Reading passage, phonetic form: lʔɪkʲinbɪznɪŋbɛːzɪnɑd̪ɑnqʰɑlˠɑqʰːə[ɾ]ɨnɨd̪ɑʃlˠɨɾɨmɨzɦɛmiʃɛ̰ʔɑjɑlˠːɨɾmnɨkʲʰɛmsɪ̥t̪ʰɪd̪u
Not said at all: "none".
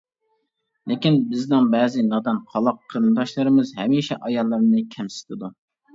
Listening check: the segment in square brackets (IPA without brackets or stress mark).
ɾ